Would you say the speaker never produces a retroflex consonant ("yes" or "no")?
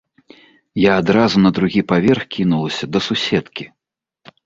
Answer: yes